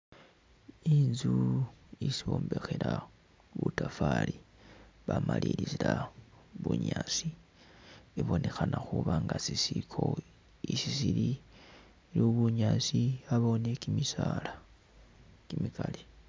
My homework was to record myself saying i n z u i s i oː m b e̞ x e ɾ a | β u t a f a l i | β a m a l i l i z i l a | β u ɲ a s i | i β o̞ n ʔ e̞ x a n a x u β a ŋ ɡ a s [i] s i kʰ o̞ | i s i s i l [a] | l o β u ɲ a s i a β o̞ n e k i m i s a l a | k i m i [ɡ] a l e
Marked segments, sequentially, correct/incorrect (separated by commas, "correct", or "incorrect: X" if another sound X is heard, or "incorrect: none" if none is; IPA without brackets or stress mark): correct, incorrect: i, incorrect: k